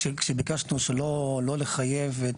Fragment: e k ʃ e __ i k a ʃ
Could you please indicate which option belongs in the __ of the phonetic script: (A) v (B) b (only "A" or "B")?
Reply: B